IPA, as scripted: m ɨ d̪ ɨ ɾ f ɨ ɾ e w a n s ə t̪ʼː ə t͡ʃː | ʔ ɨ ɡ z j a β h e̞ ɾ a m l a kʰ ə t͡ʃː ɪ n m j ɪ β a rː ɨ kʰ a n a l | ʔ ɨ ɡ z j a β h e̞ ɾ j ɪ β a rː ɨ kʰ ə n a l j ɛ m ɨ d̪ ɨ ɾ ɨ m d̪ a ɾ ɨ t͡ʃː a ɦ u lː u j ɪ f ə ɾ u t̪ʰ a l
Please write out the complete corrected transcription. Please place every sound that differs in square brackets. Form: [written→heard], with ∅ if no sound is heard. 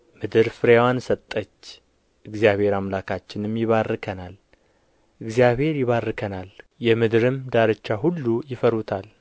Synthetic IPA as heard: m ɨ d̪ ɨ ɾ f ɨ ɾ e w a n s ə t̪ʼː ə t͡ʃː | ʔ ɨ ɡ z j a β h e̞ ɾ a m l a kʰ [ə→a] t͡ʃː ɪ n m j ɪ β a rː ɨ kʰ [a→ə] n a l | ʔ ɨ ɡ z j a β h e̞ ɾ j ɪ β a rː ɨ kʰ ə n a l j ɛ m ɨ d̪ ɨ ɾ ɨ m d̪ a ɾ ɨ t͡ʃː a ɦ u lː u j ɪ f ə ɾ u t̪ʰ a l